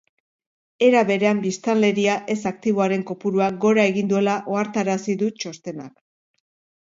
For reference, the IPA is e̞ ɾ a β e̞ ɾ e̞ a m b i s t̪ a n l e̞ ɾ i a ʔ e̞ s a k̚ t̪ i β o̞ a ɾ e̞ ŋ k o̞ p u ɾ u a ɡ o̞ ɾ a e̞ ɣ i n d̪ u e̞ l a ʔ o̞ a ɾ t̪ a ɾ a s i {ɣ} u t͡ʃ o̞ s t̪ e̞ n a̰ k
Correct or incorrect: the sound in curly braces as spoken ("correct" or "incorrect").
incorrect